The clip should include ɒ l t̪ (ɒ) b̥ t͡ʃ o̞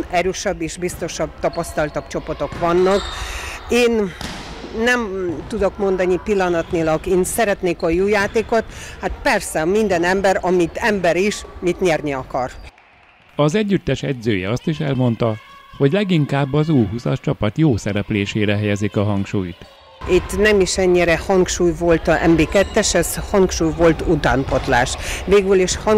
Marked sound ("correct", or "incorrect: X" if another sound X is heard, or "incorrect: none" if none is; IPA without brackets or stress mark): correct